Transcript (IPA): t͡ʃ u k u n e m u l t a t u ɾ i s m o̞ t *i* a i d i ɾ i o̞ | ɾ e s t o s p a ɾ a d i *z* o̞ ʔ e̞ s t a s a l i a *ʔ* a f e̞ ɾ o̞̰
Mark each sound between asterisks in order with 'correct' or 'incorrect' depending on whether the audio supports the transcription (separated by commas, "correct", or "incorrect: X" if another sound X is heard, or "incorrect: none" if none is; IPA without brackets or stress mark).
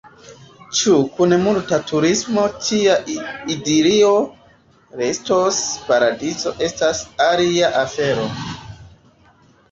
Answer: correct, correct, correct